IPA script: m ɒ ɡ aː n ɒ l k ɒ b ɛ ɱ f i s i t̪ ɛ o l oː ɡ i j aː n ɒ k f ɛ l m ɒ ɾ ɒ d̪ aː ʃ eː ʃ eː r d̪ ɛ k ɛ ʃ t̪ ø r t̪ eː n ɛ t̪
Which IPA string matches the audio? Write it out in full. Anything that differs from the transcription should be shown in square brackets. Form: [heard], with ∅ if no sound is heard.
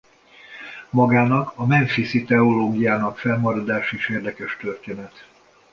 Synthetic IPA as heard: m ɒ ɡ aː n ɒ [∅] k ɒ [m] ɛ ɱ f i s i t̪ ɛ o l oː ɡ i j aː n ɒ k f ɛ l m ɒ ɾ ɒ d̪ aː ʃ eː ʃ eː r d̪ ɛ k ɛ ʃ t̪ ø r t̪ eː n ɛ t̪